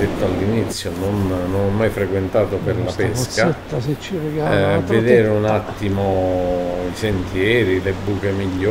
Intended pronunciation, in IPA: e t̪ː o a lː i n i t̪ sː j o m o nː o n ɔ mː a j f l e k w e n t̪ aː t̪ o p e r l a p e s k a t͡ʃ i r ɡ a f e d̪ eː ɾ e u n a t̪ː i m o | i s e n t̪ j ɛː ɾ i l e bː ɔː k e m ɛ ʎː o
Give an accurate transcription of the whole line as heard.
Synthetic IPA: e t̪ː o a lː i n i t̪ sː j o n o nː o n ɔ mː a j f ɾ e k w e n t̪ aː t̪ o p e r l a p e s k a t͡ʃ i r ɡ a v e d̪ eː ɾ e u n a t̪ː i m o | i s e n t̪ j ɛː ɾ i l e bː uː k e m i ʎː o